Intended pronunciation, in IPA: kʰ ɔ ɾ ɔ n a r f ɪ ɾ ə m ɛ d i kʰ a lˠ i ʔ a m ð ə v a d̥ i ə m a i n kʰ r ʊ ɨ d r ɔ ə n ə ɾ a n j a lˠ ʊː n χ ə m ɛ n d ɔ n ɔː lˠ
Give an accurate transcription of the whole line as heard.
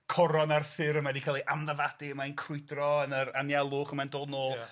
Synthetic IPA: kʰ ɔ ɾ ɔ n a r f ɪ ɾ ə m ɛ d i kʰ a lˠ i ʔ a m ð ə v a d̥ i ə m a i n kʰ r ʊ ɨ d r ɔ ə n ə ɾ a n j a lˠ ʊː χ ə m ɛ n d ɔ n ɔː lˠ